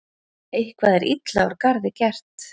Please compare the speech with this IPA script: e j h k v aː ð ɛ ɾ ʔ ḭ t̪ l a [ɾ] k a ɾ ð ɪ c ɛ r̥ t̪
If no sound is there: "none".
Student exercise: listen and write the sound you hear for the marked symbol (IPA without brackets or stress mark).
ɾ